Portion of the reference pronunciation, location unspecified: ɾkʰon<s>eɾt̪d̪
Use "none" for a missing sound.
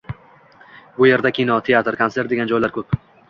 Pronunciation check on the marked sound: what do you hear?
s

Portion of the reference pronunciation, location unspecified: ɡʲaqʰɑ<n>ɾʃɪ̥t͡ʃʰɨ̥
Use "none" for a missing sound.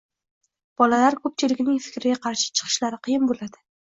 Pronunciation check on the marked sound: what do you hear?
none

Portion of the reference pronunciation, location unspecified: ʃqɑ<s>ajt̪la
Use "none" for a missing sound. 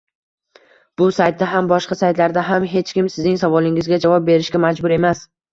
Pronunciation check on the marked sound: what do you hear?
s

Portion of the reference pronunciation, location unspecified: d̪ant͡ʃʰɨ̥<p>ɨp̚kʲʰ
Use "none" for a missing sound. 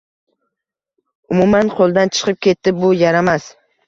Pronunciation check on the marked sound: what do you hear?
q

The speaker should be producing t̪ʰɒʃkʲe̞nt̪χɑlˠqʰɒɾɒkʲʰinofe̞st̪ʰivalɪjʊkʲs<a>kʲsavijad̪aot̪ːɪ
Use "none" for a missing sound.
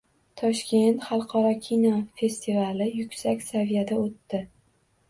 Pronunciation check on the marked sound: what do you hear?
a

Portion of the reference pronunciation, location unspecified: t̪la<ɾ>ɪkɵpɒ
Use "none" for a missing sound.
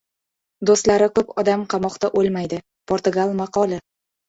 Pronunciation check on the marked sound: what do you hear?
ɾ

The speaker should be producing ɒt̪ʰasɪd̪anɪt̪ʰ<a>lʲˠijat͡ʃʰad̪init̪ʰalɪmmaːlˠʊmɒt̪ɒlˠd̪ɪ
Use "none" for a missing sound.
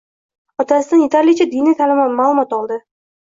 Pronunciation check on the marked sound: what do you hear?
a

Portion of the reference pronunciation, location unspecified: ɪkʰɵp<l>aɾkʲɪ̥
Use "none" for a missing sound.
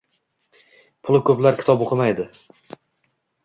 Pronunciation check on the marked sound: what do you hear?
l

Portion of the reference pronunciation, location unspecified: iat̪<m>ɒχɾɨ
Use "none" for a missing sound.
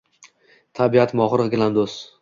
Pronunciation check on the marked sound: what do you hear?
m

